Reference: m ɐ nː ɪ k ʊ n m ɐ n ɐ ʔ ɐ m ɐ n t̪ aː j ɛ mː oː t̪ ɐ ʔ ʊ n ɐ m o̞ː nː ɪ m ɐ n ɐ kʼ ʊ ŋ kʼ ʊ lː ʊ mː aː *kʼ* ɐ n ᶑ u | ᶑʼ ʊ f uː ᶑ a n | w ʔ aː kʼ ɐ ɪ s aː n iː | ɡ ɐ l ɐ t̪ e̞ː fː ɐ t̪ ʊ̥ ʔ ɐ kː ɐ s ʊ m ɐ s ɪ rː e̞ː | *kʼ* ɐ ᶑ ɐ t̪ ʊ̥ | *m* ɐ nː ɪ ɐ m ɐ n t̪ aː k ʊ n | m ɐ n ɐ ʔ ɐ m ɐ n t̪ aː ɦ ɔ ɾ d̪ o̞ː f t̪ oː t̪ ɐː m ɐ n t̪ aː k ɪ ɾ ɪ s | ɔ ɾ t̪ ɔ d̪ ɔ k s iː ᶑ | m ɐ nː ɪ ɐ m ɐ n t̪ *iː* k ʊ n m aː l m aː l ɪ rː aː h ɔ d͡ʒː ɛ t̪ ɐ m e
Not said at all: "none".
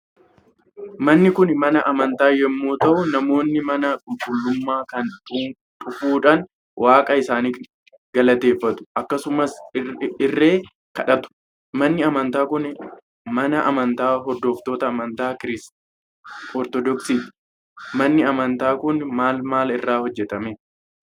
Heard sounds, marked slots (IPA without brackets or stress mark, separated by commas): k, k, m, aː